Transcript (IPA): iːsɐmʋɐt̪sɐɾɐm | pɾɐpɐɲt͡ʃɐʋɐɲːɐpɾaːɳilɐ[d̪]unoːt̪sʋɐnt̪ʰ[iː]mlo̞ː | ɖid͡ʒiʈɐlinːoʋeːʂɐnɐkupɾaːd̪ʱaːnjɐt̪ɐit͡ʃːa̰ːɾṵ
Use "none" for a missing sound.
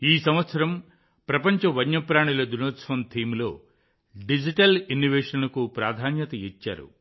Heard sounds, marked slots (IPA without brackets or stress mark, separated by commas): d̪, iː